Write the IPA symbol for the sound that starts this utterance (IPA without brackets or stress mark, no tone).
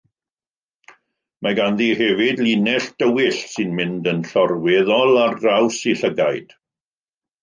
m